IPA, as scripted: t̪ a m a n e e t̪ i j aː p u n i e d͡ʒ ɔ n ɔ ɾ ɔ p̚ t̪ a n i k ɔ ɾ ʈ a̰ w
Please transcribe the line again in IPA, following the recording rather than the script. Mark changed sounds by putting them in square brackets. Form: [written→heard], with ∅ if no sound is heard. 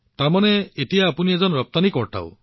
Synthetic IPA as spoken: t̪ a m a n e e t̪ i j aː p u n i e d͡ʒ ɔ n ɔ ɾ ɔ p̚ t̪ a n i k ɔ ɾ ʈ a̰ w